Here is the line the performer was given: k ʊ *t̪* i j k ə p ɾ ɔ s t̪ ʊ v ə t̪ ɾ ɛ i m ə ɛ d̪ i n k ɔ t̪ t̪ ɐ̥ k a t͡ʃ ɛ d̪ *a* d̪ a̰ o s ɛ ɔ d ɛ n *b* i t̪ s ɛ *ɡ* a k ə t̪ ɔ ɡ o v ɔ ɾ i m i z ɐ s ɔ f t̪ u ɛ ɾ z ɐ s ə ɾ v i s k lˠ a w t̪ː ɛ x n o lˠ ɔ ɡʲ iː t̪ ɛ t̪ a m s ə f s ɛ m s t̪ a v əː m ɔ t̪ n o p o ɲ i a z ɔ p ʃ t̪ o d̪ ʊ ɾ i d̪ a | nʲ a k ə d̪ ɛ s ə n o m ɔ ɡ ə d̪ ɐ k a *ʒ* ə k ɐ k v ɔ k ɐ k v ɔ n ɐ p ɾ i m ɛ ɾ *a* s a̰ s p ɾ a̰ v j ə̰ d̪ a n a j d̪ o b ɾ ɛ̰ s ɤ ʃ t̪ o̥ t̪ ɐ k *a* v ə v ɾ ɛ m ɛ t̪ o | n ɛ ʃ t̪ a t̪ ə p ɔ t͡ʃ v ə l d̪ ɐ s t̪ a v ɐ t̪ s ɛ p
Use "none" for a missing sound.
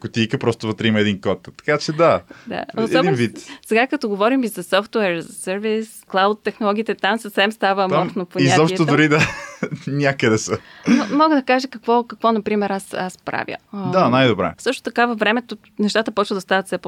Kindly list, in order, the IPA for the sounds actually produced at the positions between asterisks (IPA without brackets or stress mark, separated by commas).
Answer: t̪, a, v, ɡ, ʒ, a, a